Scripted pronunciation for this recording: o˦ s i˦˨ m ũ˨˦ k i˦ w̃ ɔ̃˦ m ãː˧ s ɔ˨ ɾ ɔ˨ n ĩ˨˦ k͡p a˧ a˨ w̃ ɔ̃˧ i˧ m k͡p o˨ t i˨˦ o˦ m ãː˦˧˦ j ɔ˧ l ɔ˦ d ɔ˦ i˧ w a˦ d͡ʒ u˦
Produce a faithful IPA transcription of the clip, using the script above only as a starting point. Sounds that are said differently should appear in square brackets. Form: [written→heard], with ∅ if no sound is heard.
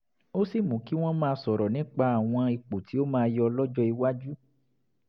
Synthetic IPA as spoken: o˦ s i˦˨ m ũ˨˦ k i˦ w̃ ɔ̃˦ m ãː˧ s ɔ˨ ɾ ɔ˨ n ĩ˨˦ k͡p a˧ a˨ w̃ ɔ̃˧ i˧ [m→∅] k͡p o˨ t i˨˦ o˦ m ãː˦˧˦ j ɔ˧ l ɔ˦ [d→d͡ʒ] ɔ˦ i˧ w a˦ d͡ʒ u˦